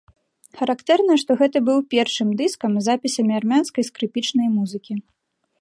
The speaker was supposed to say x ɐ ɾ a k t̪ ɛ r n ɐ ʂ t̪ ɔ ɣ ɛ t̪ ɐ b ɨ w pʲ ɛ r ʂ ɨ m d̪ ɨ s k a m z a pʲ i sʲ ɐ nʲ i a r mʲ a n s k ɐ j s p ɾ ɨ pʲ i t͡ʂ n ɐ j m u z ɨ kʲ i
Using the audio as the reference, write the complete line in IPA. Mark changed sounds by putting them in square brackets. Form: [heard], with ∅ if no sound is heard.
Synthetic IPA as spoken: x ɐ ɾ a k t̪ ɛ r n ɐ ʂ t̪ ɔ ɣ ɛ t̪ ɐ b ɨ w pʲ ɛ r ʂ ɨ m d̪ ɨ s k [ɐ] m z a pʲ i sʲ ɐ [mʲ] i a r mʲ a n s k ɐ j s [k] ɾ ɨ pʲ i t͡ʂ n ɐ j m u z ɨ kʲ i